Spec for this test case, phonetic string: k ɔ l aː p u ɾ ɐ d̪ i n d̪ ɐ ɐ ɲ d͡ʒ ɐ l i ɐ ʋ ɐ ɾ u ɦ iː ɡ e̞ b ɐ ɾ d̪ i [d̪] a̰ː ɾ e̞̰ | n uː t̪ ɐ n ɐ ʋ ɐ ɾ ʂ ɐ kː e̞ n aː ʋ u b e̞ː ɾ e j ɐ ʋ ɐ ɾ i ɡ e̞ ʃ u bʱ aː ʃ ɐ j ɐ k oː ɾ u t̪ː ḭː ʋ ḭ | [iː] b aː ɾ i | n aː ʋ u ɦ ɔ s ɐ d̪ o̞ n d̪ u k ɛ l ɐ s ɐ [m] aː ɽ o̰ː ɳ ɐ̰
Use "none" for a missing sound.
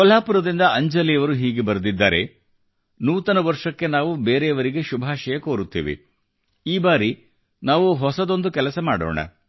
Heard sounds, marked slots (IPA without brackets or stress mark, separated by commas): d̪ː, iː, m